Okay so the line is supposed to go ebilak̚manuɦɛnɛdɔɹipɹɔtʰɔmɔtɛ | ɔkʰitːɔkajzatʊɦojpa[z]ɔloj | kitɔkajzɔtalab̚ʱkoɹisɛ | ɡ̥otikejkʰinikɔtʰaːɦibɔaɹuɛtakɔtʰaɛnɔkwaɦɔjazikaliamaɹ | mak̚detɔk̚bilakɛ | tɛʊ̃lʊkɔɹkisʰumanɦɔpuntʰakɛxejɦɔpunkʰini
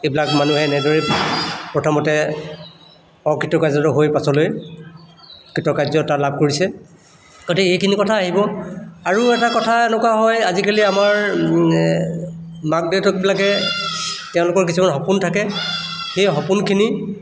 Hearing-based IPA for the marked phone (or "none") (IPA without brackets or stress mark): s